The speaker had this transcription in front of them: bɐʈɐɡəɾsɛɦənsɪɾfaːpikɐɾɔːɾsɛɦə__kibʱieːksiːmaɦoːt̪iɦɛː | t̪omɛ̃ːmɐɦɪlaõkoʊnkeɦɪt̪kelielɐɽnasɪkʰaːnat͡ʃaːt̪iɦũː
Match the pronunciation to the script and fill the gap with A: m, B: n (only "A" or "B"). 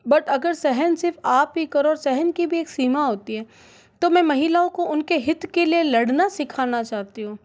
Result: B